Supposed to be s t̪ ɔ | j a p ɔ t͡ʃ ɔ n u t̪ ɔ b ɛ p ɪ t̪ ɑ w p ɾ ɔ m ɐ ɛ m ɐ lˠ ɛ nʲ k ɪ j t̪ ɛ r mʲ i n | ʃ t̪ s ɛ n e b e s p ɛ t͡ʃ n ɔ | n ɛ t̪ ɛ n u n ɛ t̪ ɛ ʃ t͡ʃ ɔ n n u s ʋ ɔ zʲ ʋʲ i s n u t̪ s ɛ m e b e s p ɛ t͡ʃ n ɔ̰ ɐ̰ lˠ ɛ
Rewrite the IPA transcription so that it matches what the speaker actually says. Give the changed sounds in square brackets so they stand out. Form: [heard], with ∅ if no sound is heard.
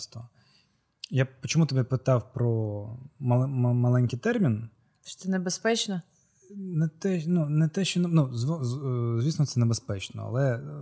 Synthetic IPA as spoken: s t̪ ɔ | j a p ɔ t͡ʃ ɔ [m] u t̪ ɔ b ɛ p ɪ t̪ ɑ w p ɾ ɔ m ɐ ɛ m ɐ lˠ ɛ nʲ k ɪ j t̪ ɛ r mʲ i n | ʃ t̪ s ɛ n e b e s p ɛ t͡ʃ n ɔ | n ɛ t̪ ɛ n u n ɛ t̪ ɛ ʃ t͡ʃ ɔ n n u [z] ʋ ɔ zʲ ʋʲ i s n [ɔ] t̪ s ɛ [n] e b e s p ɛ t͡ʃ n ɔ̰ ɐ̰ lˠ ɛ